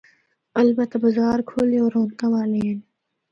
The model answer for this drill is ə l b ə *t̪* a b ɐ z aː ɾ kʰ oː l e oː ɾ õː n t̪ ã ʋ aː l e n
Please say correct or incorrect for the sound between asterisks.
correct